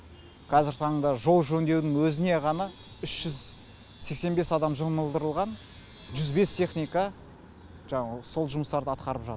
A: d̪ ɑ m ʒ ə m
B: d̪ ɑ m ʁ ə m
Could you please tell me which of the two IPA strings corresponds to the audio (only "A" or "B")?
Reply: A